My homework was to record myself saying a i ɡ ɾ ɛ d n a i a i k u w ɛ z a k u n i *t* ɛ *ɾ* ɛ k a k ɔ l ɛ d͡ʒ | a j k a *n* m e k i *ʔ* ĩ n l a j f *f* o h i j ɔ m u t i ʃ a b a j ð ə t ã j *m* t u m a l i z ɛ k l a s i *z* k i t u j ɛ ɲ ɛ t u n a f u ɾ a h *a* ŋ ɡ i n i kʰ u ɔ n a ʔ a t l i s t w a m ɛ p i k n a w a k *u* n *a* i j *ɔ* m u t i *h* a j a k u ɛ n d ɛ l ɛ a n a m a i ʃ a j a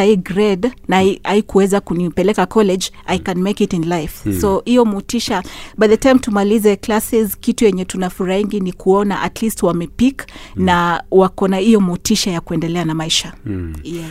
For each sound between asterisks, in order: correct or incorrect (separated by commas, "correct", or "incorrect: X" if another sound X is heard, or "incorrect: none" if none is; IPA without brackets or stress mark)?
incorrect: p, incorrect: l, correct, incorrect: t, incorrect: s, correct, correct, incorrect: i, incorrect: ɔ, correct, correct, incorrect: ʃ